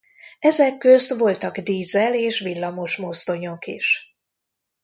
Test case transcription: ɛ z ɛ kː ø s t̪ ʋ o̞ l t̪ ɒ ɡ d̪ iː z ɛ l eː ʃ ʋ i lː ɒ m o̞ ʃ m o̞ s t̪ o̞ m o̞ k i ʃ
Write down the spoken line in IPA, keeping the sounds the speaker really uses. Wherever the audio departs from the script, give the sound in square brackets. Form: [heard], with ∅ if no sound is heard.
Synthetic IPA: ɛ z ɛ kː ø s t̪ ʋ o̞ l t̪ ɒ ɡ d̪ iː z ɛ l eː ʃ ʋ i lː ɒ m o̞ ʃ m o̞ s t̪ o̞ [ɲ] o̞ k i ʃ